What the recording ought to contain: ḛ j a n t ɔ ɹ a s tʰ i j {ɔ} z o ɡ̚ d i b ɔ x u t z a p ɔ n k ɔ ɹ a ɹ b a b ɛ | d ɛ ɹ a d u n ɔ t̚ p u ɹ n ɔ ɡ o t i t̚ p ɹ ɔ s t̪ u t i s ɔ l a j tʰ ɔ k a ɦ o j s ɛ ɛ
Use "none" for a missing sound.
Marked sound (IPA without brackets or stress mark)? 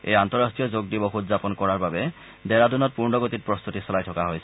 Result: ɔ